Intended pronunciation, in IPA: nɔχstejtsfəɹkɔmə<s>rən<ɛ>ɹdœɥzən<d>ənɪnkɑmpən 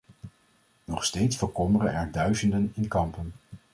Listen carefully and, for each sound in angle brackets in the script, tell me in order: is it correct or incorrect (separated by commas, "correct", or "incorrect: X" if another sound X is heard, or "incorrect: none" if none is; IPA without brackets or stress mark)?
incorrect: none, correct, correct